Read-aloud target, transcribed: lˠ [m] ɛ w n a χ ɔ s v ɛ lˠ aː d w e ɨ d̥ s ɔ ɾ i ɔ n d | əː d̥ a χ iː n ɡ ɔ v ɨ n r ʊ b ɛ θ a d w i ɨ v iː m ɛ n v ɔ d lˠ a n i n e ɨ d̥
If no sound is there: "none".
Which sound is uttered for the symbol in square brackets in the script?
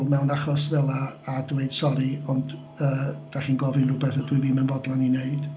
m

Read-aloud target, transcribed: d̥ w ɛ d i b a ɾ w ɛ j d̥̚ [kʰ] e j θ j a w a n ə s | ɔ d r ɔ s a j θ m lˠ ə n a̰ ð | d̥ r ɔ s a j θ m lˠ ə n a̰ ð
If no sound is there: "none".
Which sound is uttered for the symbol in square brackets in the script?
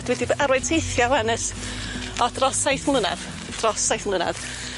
tʰ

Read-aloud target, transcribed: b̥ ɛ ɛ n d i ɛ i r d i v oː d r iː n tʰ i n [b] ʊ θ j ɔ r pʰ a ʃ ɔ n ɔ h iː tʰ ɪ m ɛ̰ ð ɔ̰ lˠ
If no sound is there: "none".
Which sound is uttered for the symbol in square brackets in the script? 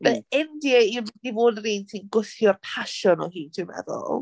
ɡ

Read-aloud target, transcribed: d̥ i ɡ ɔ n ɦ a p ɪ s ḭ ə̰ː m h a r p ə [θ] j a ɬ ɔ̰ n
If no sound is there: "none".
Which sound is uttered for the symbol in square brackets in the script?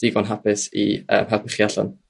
χ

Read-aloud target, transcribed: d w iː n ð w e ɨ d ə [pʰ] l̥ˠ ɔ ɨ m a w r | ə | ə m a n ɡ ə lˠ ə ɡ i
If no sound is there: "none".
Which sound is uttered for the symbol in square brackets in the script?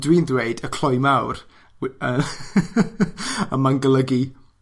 kʰ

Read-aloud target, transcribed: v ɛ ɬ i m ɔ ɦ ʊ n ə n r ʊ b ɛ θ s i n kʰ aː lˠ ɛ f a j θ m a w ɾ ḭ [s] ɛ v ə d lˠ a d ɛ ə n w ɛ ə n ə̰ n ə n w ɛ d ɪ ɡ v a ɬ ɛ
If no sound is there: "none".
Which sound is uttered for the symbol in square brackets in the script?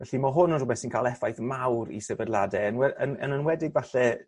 s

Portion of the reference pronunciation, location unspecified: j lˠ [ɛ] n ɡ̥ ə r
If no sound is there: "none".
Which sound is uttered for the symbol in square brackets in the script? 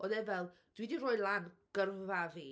a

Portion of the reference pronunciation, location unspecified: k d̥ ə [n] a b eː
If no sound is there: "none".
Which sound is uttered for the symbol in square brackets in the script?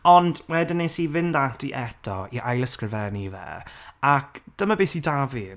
m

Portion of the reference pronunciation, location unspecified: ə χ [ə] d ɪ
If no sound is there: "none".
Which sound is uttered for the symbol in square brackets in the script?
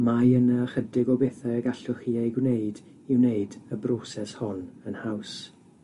ə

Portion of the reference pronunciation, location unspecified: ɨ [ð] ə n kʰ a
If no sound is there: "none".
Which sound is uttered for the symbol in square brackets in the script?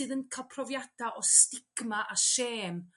ð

